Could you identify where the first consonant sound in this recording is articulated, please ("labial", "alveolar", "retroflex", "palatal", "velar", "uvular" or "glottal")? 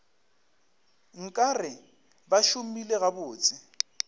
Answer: velar